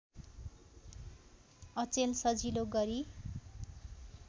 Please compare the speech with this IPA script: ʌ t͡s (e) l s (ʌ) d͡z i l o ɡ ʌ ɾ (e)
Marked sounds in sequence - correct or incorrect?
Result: correct, correct, incorrect

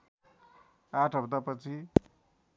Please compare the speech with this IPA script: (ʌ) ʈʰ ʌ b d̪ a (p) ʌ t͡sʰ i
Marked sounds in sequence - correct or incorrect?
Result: incorrect, correct

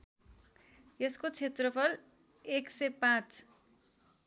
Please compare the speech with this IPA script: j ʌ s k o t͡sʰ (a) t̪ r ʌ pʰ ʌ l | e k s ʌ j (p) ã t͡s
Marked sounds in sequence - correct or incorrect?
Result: incorrect, correct

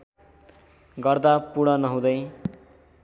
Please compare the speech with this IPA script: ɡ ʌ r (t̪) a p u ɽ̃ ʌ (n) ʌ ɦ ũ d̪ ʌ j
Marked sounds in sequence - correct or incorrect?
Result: incorrect, correct

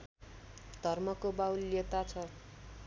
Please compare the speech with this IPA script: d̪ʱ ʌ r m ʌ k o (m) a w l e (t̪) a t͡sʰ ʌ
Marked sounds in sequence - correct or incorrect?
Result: incorrect, correct

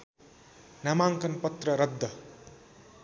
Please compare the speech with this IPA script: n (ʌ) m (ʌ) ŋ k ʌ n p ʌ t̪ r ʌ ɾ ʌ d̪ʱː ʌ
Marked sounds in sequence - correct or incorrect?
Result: incorrect, incorrect

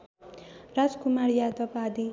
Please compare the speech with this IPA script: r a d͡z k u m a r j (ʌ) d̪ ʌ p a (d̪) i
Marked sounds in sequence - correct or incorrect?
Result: incorrect, correct

